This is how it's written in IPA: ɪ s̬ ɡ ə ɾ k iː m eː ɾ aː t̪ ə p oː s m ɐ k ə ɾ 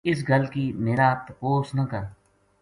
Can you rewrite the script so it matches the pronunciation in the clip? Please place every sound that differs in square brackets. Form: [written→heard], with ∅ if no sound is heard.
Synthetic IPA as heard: ɪ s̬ ɡ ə [ɾ→l] k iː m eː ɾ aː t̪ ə p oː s [m→n] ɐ k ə ɾ